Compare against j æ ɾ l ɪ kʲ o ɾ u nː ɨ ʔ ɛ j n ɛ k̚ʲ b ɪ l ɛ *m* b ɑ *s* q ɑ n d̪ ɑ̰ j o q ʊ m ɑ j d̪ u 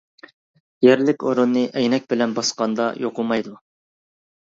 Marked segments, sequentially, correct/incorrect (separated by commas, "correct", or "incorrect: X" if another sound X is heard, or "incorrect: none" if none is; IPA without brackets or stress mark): incorrect: n, correct